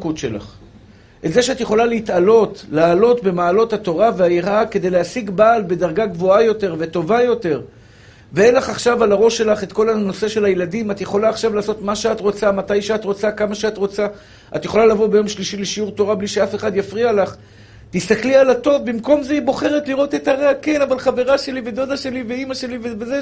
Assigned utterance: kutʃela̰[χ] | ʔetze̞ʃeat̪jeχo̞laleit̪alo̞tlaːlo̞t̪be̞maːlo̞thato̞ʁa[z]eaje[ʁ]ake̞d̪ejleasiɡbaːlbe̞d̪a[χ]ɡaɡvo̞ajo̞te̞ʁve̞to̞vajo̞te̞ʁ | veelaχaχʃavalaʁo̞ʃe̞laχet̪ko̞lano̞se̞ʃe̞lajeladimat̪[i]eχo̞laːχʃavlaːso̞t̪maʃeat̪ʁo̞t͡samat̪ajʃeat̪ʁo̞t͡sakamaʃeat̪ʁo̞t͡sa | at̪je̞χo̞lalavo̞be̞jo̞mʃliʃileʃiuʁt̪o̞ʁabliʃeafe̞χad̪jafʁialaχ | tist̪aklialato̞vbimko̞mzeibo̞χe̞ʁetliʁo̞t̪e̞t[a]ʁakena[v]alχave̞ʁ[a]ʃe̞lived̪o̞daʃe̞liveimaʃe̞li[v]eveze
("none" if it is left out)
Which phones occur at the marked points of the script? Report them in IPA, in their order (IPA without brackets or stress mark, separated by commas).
χ, v, ʁ, ʁ, j, a, v, a, v